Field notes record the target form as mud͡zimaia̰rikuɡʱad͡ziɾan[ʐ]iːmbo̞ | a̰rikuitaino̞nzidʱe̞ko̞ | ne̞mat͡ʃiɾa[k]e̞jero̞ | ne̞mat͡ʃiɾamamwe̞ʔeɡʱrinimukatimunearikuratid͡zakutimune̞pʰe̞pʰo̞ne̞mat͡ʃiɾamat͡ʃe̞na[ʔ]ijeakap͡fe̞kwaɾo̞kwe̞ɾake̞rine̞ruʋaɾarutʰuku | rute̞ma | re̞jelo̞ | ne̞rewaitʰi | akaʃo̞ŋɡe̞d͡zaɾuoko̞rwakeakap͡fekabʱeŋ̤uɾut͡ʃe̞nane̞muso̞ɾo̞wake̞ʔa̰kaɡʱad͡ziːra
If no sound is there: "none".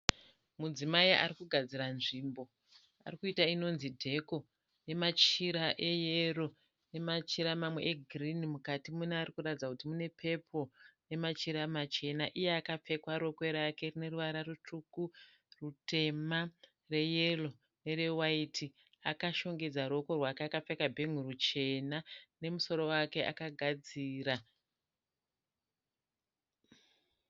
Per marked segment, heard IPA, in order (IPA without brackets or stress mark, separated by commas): ʐ, ʔ, ʔ